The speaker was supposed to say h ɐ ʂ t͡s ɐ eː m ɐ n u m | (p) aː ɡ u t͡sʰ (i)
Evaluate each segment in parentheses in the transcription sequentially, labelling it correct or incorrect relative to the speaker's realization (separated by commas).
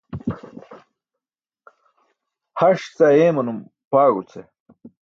correct, incorrect